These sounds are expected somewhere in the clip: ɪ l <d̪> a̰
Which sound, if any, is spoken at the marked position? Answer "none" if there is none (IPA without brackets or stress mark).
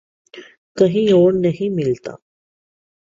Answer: t̪